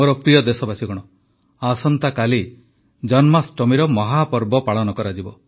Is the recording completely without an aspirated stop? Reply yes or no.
yes